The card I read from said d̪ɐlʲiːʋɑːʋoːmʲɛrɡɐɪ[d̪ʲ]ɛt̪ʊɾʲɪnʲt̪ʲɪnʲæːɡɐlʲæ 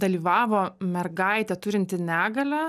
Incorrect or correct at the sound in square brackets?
incorrect: t̪ʲ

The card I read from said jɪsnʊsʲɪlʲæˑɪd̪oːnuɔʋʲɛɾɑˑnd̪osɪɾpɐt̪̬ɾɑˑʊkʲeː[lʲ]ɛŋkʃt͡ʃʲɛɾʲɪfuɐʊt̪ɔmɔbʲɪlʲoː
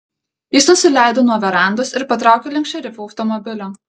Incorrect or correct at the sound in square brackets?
correct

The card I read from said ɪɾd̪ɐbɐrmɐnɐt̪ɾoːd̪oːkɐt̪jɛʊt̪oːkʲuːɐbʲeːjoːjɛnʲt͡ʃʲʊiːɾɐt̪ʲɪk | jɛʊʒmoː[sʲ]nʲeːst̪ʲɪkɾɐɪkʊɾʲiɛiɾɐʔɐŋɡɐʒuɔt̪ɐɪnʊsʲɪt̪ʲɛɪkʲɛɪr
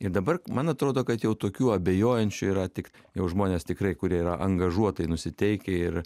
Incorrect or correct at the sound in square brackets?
incorrect: none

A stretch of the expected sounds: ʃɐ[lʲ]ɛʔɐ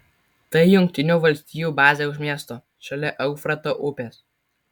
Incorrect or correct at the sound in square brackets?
correct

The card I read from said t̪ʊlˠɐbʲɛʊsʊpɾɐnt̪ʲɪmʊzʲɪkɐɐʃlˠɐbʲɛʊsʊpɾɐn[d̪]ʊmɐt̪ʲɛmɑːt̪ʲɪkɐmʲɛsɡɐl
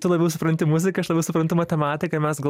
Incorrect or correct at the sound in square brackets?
incorrect: t̪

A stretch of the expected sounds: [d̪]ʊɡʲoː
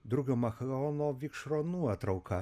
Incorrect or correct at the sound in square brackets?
correct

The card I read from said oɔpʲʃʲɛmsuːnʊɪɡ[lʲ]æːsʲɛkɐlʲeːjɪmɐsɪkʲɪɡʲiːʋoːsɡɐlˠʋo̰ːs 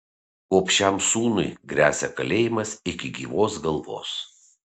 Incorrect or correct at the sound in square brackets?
incorrect: ɾʲ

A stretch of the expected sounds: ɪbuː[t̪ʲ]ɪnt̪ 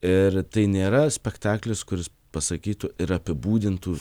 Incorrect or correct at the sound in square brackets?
incorrect: d̪ʲ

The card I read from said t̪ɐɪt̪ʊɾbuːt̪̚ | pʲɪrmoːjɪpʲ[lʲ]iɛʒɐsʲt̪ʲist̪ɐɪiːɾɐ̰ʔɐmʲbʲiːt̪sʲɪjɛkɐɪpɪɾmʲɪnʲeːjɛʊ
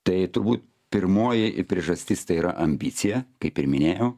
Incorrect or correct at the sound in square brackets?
incorrect: ɾʲ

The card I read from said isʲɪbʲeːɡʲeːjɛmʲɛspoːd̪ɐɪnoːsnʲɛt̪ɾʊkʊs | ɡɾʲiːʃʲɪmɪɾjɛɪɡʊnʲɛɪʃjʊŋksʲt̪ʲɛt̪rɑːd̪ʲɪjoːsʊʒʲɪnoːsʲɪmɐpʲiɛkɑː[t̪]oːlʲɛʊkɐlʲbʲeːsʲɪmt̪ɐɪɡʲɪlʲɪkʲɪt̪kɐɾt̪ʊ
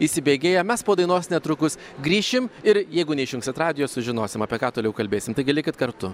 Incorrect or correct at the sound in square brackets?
correct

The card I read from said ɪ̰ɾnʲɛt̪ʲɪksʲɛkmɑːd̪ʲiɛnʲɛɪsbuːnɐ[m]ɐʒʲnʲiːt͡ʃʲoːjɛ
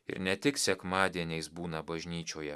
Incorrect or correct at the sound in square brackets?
incorrect: b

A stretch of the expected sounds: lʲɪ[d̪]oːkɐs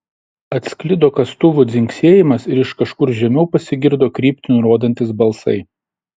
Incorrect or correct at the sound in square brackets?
correct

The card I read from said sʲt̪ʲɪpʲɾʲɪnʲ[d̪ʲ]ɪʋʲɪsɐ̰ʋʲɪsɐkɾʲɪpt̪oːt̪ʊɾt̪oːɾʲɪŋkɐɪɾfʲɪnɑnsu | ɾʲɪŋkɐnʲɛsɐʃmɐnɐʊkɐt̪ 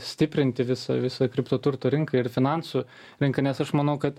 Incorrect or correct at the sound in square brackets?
incorrect: t̪ʲ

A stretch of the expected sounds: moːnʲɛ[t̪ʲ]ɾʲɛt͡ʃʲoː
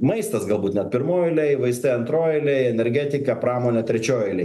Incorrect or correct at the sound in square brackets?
correct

